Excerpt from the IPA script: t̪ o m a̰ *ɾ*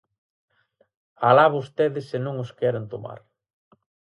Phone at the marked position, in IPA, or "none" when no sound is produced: ɾ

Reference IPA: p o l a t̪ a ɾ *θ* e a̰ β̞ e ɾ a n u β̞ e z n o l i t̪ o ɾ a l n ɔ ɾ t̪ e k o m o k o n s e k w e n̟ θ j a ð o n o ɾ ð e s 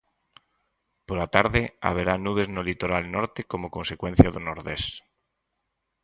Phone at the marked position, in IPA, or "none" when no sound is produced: ð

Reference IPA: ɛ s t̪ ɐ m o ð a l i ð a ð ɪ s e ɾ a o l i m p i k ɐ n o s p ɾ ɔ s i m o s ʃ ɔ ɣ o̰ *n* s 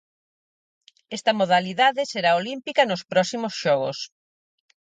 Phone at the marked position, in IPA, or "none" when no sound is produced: none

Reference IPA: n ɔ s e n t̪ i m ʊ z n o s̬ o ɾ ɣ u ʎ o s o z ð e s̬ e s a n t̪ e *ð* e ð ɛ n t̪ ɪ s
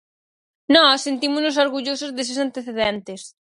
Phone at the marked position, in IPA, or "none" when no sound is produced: θ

